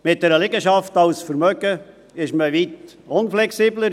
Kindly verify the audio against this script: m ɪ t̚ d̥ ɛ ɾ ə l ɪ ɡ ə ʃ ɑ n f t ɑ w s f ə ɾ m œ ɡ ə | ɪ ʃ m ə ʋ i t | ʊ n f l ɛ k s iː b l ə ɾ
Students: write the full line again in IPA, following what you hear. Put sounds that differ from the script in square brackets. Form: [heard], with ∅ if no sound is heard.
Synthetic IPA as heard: m ɪ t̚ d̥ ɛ ɾ ə l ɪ ɡ ə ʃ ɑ [∅] f t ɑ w s f ə ɾ m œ ɡ ə | ɪ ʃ m ə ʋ i t | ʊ n f l ɛ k s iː b l ə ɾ